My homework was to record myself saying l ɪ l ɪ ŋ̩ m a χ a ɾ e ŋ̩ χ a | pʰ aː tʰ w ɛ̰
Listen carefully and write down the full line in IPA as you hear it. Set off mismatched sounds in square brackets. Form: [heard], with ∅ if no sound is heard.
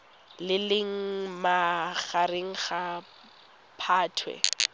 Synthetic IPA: l ɪ l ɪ ŋ̩ m a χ a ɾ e ŋ̩ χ a | pʰ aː tʰ w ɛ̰

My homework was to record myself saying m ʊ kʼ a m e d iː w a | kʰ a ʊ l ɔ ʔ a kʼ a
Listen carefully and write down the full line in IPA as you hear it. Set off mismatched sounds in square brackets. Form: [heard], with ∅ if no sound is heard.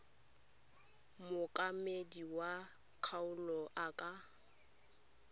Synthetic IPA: m ʊ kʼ a m e d [i] w a | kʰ a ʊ l ɔ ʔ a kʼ a

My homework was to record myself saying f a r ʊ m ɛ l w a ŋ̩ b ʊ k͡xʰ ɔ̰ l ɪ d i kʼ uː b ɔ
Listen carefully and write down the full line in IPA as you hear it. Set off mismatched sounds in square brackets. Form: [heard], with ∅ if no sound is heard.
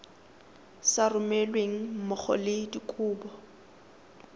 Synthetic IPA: [s] a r ʊ m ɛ l w [e] ŋ̩ [m] ʊ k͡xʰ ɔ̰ l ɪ d i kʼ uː b ɔ

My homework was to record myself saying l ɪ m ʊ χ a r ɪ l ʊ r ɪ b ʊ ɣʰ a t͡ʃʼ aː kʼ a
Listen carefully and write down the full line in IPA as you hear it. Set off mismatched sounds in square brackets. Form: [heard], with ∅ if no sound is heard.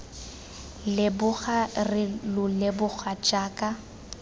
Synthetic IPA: l ɪ [b] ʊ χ a r ɪ l ʊ [l] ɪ b ʊ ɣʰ a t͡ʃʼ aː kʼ a

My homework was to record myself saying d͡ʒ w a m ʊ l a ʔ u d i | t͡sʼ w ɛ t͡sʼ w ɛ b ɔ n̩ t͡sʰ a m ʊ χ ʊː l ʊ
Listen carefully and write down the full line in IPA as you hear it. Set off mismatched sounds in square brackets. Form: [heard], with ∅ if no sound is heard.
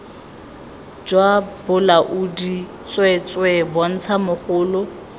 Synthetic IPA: d͡ʒ w a [b] ʊ l a ʔ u d i | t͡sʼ w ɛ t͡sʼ w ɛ b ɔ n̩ t͡sʰ a m ʊ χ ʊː l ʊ

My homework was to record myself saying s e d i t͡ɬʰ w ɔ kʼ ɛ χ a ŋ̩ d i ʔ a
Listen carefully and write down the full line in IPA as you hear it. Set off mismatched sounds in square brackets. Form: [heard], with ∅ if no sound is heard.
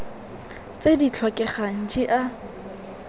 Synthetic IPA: [t͡s] e d i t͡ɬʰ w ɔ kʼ ɛ χ a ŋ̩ [d͡ʒ] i ʔ a

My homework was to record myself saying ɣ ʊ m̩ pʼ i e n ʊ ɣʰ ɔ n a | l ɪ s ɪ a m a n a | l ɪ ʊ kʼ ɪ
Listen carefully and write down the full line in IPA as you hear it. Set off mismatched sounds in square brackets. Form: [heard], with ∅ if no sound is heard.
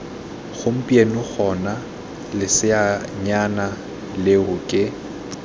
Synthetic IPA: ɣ ʊ m̩ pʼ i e n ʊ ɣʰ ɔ n a | l ɪ s ɪ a [ɲ] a n a | l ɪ ʊ kʼ ɪ

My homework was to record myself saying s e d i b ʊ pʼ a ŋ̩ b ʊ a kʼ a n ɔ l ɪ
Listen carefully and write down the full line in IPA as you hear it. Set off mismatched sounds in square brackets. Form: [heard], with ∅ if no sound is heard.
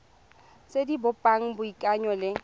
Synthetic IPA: s e d i b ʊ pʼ a ŋ̩ b ʊ [i] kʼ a [ɲ] ɔ l ɪ

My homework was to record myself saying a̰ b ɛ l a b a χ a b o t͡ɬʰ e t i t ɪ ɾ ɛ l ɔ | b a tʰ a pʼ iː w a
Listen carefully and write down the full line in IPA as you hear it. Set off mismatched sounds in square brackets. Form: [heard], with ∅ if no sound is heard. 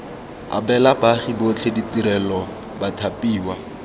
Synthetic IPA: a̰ b ɛ l a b a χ [i] b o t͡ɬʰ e [d] i t [i] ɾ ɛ l ɔ | b a tʰ a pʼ iː w a

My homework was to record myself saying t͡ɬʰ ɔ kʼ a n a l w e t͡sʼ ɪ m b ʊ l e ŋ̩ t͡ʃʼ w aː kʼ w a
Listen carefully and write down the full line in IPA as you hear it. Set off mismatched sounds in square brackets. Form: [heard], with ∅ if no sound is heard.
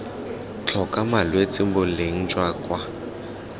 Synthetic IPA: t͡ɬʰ ɔ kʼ a [m] a l w e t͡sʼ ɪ m b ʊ l e ŋ̩ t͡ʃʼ w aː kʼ w a

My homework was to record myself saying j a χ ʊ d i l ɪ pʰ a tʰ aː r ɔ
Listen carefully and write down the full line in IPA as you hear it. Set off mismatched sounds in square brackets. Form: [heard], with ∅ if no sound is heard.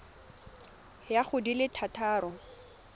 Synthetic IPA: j a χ ʊ d i l ɪ [tʰ] a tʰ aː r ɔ

